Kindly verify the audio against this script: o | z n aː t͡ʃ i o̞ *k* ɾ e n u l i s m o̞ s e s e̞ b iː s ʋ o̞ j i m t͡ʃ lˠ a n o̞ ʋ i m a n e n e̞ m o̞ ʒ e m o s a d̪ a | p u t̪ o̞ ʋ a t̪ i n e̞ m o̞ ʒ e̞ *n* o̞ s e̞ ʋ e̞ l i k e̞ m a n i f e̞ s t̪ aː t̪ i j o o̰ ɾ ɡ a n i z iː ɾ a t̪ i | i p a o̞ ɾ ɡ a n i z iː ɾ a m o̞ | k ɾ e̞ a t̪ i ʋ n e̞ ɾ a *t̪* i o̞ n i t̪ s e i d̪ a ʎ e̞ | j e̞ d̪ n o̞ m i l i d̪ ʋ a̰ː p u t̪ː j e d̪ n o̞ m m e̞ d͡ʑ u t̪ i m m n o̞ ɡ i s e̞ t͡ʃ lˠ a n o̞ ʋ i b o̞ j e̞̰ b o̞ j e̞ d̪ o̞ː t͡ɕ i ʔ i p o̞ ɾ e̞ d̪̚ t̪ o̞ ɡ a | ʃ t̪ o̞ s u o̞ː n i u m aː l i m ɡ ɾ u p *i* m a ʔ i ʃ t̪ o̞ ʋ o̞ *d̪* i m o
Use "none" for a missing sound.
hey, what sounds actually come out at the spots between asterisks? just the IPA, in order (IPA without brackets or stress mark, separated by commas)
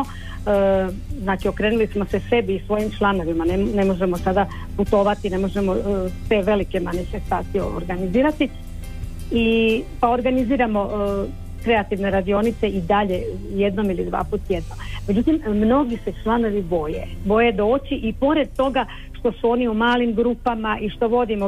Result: k, m, d̪, a, d̪